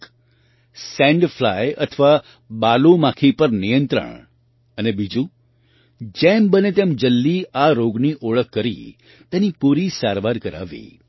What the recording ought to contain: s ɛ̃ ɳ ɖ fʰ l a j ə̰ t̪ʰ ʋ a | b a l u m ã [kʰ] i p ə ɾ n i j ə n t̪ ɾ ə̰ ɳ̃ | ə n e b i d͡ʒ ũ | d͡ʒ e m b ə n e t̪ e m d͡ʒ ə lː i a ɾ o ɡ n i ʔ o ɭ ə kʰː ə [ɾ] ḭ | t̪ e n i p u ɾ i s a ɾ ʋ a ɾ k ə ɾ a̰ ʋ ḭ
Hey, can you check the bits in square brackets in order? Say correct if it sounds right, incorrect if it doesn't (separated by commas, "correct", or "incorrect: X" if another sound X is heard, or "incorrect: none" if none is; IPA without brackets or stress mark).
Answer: correct, correct